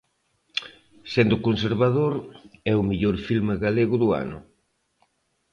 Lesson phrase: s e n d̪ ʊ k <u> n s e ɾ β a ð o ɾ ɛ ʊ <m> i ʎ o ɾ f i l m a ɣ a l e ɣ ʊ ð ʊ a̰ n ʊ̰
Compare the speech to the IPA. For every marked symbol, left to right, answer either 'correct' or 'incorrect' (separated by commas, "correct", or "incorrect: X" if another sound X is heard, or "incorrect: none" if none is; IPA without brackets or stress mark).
incorrect: o, correct